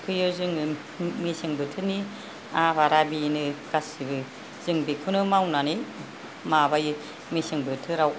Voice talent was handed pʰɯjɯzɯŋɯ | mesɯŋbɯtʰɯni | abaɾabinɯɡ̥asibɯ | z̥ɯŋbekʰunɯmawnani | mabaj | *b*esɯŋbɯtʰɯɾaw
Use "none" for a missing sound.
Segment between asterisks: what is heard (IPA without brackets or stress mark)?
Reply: m